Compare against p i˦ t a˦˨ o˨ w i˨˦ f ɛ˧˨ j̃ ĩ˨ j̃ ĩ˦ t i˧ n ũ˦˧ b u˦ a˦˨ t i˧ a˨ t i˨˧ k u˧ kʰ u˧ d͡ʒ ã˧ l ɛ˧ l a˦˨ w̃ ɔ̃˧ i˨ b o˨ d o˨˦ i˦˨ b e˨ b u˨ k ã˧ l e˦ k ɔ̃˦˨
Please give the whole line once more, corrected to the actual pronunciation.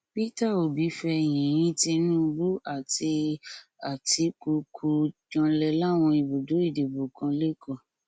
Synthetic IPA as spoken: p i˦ t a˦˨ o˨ b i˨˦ f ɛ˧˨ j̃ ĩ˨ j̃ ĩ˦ t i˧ n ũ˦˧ b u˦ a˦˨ t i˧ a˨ t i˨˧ k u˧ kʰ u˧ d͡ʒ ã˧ l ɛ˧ l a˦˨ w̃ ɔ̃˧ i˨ b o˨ d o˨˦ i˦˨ d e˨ b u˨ k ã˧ l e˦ k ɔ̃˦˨

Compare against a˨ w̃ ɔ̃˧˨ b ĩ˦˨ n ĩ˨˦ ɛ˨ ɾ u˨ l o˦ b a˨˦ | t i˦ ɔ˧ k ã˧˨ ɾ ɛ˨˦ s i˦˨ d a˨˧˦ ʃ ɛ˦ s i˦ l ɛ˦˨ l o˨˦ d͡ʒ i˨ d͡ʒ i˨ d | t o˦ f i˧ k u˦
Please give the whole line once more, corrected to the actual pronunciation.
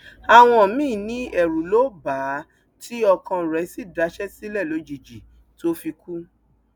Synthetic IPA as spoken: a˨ w̃ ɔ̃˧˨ m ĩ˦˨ n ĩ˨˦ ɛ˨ ɾ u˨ l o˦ b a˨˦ | t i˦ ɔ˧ k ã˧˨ ɾ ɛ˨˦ s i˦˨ d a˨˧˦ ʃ ɛ˦ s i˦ l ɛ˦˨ l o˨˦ d͡ʒ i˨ d͡ʒ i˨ | t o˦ f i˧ k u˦

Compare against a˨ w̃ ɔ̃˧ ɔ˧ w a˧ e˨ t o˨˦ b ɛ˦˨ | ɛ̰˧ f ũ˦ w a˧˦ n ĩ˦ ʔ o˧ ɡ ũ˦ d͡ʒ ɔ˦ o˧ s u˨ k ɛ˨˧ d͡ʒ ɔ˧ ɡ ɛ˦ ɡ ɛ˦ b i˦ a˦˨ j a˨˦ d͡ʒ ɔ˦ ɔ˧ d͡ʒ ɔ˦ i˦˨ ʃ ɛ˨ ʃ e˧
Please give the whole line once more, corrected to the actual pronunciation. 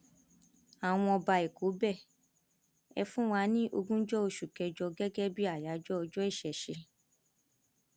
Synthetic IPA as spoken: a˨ w̃ ɔ̃˧ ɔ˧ b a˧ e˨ k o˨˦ b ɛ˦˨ | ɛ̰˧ f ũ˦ w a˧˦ n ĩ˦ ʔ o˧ ɡ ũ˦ d͡ʒ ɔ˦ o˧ ʃ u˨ k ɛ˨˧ d͡ʒ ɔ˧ ɡ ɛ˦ ɡ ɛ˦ b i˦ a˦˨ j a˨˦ d͡ʒ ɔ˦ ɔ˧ d͡ʒ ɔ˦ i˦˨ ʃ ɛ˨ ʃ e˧

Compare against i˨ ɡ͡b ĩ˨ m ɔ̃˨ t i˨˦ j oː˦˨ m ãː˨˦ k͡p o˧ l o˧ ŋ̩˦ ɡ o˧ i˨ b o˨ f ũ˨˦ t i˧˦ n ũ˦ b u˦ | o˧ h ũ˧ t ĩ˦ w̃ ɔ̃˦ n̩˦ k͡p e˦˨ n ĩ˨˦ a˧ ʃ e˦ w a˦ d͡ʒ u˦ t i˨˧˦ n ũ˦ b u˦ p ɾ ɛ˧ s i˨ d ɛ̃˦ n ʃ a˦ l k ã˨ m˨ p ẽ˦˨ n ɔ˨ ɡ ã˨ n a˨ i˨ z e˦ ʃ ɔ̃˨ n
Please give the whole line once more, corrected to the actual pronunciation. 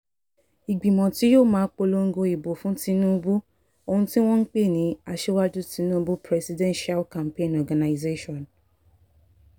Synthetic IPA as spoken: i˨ ɡ͡b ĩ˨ m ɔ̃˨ t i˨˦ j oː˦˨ m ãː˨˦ k͡p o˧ l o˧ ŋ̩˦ ɡ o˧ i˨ b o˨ f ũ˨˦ t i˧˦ n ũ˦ b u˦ | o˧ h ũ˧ t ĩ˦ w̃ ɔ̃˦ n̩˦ k͡p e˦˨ n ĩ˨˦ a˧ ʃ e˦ w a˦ d͡ʒ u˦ t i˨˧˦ n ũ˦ b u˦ p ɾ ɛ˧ s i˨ d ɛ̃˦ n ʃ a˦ l k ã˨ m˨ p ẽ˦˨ n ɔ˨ ɡ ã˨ n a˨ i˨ z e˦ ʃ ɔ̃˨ n

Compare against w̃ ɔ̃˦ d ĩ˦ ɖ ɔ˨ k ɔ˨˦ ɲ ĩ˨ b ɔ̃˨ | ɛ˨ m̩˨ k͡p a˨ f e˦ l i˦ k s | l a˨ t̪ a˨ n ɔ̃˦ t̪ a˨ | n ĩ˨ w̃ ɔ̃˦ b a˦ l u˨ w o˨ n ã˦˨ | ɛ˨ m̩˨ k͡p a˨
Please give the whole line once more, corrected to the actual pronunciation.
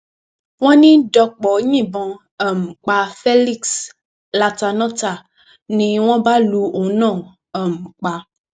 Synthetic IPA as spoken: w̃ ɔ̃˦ n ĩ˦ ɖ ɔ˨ k͡p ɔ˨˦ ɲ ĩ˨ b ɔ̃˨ | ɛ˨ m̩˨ k͡p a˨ f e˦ l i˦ k s | l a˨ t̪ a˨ n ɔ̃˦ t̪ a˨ | n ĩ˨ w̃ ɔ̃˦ b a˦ l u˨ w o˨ n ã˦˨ | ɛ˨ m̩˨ k͡p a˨

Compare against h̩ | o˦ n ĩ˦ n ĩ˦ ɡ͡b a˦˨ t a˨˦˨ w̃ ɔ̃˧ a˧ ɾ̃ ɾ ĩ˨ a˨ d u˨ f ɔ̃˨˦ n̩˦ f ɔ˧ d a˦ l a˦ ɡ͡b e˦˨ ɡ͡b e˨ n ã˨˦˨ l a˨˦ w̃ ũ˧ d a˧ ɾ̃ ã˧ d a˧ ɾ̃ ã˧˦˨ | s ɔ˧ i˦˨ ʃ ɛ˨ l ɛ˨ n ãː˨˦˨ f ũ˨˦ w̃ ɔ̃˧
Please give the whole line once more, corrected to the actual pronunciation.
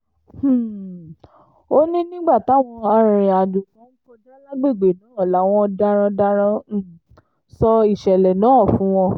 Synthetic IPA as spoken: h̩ | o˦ n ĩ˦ n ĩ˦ ɡ͡b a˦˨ t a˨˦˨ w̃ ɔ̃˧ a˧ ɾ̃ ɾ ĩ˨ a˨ d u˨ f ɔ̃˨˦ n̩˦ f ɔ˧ d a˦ l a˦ ɡ͡b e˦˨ ɡ͡b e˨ n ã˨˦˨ l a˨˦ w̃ ɔ̃˧ d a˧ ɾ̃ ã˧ d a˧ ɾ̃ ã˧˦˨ | s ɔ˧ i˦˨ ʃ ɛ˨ l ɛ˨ n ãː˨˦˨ f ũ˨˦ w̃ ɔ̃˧

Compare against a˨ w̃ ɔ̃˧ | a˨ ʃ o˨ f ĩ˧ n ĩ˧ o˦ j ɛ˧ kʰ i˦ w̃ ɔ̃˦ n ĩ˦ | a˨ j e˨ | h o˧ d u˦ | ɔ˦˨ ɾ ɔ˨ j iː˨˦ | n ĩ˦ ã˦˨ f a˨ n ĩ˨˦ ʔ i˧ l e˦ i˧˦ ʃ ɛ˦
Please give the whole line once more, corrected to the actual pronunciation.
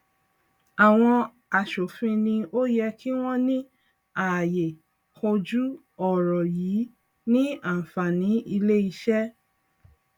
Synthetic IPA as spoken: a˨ w̃ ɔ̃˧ | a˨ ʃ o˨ f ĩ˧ n ĩ˧ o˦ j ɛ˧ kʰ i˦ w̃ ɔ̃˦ n ĩ˦ | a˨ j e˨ | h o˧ d͡ʒ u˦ | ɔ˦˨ ɾ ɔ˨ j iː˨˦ | n ĩ˦ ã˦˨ f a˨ n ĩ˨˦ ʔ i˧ l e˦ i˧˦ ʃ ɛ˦

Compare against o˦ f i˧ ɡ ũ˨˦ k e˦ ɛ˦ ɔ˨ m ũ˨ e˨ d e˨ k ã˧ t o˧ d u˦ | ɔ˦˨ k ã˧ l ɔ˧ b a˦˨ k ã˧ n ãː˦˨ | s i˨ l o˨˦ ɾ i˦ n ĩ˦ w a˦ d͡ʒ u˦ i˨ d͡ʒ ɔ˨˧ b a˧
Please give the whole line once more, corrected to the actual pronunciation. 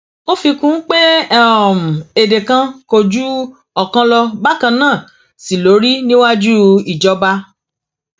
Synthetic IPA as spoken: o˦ f i˧ k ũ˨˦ k͡p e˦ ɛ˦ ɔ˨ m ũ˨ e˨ d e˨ k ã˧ k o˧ d͡ʒ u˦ | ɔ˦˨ k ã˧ l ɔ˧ b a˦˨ k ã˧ n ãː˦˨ | s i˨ l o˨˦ ɾ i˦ n ĩ˦ w a˦ d͡ʒ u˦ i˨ d͡ʒ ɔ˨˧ b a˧

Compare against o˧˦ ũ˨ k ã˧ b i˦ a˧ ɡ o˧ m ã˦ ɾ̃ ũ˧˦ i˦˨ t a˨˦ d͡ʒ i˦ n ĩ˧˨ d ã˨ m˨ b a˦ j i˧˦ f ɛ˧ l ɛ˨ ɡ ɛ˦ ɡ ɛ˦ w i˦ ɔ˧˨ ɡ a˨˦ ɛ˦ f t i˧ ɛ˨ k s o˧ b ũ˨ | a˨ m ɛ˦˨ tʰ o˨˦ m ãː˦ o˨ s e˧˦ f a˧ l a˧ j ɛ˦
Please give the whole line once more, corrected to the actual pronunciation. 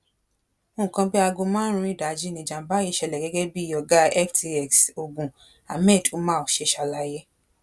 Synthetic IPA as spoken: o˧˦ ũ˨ k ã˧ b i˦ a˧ ɡ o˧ m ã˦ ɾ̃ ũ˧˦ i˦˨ d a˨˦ d͡ʒ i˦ n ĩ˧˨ d͡ʒ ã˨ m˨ b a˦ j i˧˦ ʃ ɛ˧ l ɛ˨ ɡ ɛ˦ ɡ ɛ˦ b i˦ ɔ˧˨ ɡ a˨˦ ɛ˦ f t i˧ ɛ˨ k s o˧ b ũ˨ | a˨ m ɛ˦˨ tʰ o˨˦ m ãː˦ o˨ ʃ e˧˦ ʃ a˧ l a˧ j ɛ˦

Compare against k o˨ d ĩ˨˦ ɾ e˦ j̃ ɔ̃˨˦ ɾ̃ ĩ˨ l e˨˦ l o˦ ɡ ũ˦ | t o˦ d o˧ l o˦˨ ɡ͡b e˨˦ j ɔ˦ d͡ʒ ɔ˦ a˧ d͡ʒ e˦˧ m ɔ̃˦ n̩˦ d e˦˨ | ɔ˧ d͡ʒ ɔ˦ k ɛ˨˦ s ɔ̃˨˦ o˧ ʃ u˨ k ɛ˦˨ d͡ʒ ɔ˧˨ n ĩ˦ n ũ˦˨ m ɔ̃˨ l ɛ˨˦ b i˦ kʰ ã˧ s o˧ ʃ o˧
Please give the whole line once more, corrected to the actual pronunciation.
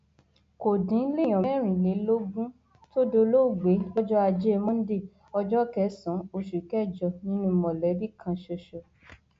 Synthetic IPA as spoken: k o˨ d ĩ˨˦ l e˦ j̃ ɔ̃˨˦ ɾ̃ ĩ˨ l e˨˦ l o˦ ɡ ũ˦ | t o˦ d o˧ l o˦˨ ɡ͡b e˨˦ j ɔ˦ d͡ʒ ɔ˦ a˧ d͡ʒ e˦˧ m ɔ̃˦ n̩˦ d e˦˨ | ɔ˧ d͡ʒ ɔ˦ k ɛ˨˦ s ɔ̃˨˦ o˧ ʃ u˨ k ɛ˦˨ d͡ʒ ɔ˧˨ n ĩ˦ n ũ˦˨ m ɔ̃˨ l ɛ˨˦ b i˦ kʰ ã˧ ʃ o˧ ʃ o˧

